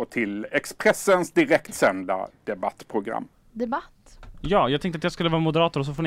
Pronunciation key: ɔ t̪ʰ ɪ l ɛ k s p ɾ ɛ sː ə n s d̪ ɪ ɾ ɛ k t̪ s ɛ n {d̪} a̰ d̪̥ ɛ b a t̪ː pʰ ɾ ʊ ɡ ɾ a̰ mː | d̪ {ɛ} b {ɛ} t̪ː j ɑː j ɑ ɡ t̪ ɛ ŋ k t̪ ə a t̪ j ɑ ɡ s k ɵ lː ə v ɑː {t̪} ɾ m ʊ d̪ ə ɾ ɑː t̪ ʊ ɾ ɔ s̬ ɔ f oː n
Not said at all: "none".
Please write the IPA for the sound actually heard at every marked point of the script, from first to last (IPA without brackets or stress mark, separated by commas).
d̪, ɛ, a, none